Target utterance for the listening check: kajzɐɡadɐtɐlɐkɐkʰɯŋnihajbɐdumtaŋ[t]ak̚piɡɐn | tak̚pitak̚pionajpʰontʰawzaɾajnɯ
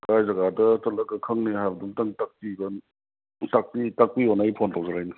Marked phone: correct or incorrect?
correct